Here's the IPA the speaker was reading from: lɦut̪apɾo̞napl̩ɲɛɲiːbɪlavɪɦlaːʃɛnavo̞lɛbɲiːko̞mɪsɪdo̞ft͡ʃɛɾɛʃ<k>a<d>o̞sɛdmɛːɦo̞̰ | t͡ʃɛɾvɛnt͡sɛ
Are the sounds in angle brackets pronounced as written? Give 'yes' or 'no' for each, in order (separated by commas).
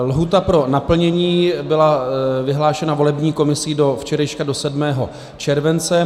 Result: yes, yes